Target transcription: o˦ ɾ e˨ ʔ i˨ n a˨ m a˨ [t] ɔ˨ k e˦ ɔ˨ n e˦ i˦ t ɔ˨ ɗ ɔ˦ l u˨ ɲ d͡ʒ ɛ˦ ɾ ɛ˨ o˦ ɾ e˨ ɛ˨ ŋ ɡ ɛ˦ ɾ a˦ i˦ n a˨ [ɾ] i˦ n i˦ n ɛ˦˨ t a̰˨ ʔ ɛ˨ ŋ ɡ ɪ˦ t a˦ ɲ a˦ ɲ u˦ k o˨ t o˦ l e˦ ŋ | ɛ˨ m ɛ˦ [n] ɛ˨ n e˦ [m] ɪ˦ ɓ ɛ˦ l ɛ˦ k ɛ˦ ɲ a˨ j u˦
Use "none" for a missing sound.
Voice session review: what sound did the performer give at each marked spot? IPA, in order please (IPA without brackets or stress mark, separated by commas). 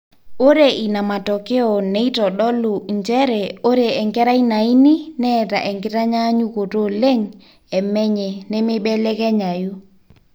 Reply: t, none, ɲ, m